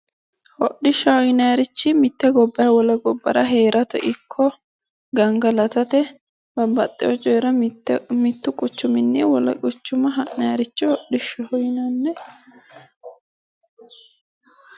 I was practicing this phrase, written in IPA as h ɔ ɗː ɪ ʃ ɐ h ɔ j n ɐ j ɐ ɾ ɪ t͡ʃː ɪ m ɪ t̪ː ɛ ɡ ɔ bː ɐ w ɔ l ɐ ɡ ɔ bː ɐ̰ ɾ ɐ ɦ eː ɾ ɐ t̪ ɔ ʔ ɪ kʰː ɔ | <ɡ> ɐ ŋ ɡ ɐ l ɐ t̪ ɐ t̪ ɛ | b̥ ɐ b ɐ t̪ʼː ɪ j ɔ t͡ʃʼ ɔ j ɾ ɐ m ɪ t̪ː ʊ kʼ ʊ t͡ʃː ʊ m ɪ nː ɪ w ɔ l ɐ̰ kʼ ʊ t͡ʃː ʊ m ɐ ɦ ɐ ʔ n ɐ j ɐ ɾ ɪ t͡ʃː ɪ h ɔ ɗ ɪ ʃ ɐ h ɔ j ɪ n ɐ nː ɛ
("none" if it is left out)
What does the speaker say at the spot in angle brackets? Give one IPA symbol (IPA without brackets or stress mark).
ɡ